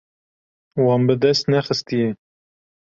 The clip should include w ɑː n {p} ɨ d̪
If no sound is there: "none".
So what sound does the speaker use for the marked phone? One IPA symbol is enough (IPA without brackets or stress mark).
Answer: b